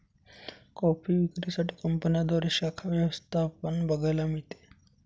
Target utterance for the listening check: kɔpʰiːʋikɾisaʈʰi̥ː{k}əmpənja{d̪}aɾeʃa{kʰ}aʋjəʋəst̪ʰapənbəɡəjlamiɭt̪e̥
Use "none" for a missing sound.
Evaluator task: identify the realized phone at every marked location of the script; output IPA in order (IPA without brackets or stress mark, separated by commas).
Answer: k, d̪, kʰ